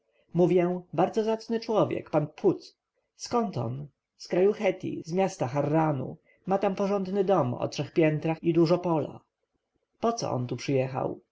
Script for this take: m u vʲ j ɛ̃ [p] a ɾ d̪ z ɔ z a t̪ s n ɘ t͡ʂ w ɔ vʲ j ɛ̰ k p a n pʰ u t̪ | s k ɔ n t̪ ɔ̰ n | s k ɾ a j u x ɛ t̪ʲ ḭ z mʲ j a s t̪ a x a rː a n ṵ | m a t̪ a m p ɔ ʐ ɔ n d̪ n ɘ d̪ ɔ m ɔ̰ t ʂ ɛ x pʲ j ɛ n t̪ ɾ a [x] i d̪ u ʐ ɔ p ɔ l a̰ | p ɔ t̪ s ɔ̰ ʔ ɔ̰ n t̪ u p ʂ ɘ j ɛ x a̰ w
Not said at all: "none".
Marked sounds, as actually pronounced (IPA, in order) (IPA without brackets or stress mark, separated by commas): b, x